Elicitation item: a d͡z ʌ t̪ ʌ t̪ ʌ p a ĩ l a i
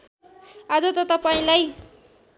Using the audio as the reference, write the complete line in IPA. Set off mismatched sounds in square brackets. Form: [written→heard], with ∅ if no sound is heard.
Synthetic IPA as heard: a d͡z ʌ t̪ ʌ t̪ ʌ p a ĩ l a [i→j]